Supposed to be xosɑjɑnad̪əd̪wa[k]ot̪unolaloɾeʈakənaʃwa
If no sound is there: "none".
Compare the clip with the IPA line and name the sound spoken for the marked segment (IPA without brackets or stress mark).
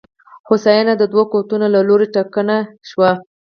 k